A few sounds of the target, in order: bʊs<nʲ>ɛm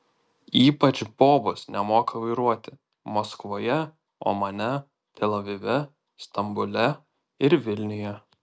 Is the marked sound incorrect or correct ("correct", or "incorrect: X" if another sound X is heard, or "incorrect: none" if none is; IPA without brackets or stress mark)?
correct